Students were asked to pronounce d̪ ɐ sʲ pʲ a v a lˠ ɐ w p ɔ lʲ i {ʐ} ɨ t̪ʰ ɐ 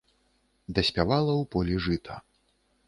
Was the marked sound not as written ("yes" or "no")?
no